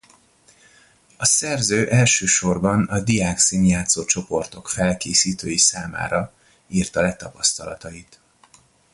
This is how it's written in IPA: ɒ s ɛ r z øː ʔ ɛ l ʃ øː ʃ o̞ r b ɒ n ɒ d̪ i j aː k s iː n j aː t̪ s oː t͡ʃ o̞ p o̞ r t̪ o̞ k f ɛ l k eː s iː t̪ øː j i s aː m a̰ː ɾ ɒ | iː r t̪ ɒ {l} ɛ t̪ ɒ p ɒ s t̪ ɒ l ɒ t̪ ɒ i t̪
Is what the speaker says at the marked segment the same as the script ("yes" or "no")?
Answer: yes